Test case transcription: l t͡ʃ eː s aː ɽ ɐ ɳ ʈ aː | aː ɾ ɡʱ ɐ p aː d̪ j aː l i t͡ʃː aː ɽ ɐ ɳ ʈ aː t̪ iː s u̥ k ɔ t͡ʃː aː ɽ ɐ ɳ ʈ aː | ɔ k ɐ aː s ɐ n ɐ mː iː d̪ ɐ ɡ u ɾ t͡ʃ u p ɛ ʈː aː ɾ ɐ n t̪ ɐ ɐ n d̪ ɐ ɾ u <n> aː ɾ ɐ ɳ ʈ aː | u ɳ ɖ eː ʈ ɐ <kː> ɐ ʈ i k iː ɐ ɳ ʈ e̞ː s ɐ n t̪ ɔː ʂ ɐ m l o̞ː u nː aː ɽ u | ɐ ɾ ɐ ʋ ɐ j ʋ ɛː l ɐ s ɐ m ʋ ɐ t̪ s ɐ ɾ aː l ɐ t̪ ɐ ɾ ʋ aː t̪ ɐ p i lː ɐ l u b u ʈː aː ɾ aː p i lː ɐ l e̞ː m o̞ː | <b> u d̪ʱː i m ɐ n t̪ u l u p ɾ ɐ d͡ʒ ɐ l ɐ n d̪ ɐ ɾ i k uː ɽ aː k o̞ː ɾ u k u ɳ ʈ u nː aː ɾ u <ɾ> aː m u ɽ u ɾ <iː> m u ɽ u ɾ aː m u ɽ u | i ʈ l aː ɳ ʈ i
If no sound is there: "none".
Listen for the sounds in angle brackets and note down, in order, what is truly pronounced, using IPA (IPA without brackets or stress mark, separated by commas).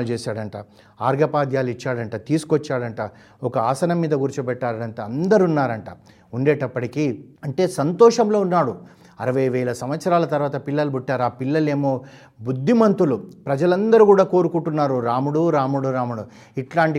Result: nː, pː, b, ɾ, aː